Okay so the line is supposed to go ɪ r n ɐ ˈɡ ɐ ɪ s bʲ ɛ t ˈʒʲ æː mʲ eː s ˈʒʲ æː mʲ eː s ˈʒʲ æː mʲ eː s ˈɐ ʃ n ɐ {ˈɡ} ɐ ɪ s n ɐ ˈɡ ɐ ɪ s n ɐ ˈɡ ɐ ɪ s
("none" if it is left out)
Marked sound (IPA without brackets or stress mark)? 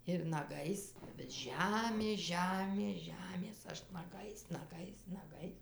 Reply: ɡ